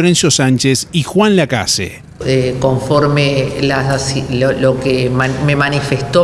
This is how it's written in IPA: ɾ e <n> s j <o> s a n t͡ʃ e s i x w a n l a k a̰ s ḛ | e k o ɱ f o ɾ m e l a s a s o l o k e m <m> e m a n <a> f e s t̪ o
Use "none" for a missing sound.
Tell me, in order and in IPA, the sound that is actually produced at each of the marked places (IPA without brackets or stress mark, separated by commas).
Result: n, o, m, i